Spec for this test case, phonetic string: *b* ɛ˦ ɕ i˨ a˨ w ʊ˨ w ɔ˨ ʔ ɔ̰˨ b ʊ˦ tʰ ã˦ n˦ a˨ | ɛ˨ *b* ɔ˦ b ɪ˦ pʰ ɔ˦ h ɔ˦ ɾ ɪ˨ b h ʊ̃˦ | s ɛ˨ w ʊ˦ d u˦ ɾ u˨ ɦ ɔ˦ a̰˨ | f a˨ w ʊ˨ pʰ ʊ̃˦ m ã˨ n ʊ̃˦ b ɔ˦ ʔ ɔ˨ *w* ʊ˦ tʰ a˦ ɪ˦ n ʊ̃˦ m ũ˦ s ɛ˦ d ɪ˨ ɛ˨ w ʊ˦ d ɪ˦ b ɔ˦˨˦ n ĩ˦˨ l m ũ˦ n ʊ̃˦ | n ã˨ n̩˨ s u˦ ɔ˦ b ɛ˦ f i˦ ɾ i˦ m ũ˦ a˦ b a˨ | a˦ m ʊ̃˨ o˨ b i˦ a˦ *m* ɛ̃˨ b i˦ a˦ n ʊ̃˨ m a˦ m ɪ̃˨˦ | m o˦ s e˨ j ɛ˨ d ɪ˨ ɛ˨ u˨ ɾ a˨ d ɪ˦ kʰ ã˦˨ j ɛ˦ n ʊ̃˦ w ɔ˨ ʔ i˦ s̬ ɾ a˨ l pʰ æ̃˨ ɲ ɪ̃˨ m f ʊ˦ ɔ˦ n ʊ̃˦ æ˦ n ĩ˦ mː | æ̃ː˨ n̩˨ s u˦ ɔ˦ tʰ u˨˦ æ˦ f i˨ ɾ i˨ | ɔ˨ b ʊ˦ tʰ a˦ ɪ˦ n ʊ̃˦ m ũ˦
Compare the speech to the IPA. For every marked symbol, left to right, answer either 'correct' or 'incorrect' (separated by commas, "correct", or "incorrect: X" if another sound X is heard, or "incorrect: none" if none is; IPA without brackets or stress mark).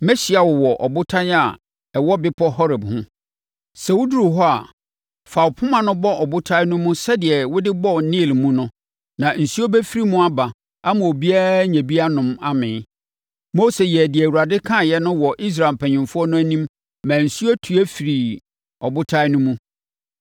incorrect: m, incorrect: w, incorrect: b, incorrect: ɲ